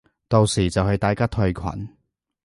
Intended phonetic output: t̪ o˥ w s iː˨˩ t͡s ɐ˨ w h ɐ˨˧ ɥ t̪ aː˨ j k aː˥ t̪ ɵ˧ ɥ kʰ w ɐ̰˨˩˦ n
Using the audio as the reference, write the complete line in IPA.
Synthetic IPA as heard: t̪ o˨ w s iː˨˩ t͡s ɐ˨ w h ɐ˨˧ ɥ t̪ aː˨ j k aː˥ t̪ʰ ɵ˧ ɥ kʰ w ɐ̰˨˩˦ n